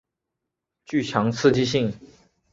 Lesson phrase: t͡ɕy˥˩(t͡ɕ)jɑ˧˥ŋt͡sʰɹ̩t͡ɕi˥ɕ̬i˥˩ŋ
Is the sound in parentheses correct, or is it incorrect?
incorrect